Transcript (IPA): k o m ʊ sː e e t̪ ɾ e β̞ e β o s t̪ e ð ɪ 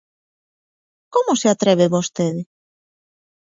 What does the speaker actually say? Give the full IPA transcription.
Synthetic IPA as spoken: k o m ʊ s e a t̪ ɾ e β̞ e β o s t̪ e ð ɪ